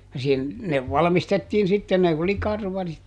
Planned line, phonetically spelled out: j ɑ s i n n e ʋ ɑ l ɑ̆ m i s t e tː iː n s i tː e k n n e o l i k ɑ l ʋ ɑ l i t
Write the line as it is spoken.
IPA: j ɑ s i n n e ʋ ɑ l ɑ̆ m i s t e tː iː n s i tː e n n e o l i k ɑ r ʋ ɑ r i t